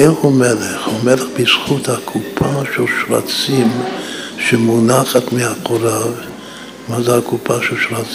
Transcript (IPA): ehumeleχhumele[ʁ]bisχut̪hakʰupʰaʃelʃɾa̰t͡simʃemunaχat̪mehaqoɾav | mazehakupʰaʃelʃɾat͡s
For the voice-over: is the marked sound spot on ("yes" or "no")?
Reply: no